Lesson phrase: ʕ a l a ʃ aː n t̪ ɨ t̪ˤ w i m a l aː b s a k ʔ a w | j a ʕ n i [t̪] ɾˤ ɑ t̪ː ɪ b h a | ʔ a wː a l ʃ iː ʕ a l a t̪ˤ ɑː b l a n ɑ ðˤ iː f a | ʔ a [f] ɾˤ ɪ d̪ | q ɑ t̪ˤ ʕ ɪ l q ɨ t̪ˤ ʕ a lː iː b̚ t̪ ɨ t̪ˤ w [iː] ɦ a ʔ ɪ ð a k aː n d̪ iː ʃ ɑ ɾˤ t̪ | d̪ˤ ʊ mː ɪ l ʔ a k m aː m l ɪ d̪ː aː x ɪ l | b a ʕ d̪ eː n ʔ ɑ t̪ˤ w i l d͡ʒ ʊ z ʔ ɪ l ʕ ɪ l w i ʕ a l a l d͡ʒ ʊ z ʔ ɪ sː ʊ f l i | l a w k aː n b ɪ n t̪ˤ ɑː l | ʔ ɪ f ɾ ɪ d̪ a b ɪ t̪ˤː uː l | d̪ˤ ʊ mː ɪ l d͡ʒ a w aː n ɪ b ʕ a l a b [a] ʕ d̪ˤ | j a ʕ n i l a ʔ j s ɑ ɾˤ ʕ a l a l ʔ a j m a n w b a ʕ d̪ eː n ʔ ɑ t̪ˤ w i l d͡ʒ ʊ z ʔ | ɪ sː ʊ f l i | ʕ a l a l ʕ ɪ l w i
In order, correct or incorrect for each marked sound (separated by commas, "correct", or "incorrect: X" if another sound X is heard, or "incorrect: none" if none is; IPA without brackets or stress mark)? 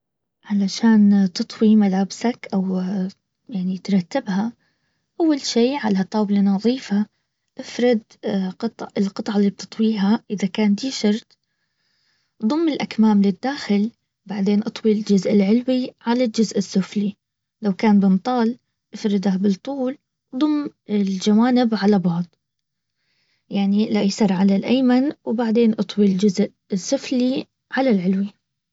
correct, correct, correct, incorrect: ɑ